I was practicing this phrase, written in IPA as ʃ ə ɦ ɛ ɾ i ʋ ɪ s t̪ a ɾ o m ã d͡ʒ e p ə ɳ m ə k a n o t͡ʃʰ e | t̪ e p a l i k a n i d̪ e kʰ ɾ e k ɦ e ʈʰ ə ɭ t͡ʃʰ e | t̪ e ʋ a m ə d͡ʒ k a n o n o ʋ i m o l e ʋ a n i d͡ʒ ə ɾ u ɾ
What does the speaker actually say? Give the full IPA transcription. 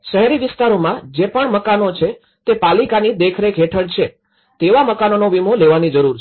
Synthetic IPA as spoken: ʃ ə ɦ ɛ ɾ i ʋ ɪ s t̪ a ɾ o m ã d͡ʒ e p ə ɳ m ə k a n o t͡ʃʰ e | t̪ e p a l i k a n i d̪ e kʰ ɾ e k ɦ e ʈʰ ə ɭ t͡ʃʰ e | t̪ e ʋ a m ə k a n o n o ʋ i m o l e ʋ a n i d͡ʒ ə ɾ u ɾ